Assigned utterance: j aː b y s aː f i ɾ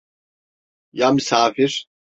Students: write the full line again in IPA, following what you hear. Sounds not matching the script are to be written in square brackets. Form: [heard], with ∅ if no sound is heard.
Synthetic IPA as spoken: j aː [m] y s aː f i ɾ